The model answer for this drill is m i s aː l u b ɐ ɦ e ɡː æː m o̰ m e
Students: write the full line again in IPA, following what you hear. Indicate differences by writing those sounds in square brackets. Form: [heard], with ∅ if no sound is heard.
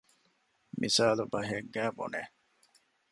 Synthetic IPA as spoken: m i s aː l u b ɐ ɦ e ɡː æː [b] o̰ [n] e